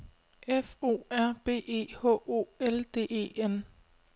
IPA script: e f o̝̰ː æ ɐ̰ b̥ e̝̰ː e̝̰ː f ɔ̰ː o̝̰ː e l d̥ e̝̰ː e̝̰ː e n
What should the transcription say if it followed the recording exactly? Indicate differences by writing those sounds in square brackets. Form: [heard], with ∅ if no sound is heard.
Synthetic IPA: e f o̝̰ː æ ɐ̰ b̥ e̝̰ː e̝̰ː [h] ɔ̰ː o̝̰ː e l d̥ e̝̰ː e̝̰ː e n